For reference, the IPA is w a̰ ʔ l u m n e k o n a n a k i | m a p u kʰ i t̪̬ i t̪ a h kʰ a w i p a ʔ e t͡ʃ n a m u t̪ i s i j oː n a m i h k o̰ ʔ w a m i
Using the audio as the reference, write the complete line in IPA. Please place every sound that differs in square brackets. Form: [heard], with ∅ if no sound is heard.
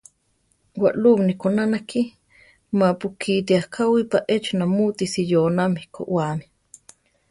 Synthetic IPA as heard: w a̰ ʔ l u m n [i] k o n a n a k i | m a p u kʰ i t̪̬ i [∅] a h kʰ a w i p a ʔ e t͡ʃ n a m u t̪ i s i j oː n a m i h k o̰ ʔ w a m i